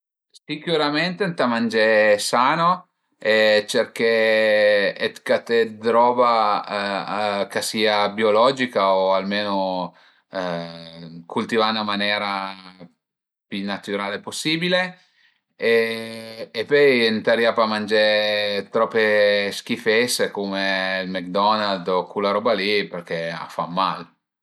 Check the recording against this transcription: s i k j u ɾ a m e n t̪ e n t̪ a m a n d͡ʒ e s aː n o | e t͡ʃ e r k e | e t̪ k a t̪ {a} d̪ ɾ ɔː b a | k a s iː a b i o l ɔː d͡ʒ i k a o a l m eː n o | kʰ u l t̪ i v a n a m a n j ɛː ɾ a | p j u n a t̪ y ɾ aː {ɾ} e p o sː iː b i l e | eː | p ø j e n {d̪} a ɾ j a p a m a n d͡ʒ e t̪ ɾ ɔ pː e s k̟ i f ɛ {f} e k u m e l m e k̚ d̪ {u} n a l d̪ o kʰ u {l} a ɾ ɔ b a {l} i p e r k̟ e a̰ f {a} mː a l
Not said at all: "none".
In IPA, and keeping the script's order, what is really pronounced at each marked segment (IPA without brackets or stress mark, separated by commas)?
e, l, t̪, s, ɔ, l, l, a